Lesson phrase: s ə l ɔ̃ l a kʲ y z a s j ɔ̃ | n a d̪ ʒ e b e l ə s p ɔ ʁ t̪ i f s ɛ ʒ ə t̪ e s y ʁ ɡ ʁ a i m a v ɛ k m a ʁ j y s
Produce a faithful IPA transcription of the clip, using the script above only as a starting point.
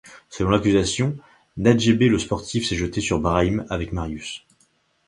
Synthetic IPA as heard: s ə l ɔ̃ l a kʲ y z a s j ɔ̃ | n a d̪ ʒ e b e l ə s p ɔ ʁ t̪ i f s ɛ ʒ ə t̪ e s y ʁ b ʁ a i m a v ɛ k m a ʁ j y s